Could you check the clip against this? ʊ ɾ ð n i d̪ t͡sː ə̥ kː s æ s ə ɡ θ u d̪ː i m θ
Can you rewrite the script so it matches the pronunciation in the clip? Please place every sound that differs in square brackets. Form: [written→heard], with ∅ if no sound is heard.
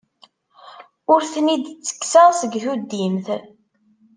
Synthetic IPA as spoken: ʊ ɾ [ð→θ] n i d̪ t͡sː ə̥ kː s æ s ə ɡ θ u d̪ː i m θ